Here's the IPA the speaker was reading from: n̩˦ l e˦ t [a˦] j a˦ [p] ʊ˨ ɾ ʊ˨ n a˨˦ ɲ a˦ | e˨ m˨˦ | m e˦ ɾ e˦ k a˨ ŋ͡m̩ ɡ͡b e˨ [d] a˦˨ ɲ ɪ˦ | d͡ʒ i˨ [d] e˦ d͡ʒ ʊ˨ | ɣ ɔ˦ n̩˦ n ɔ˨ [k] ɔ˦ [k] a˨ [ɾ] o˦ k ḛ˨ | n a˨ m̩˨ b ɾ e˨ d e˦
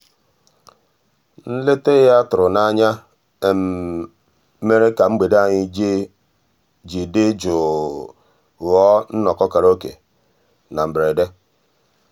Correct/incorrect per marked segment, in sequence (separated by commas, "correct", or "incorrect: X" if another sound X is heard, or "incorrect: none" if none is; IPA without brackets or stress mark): incorrect: e˦, incorrect: t, correct, correct, correct, correct, correct